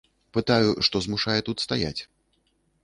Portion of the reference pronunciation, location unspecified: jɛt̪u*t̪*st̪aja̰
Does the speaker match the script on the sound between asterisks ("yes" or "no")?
yes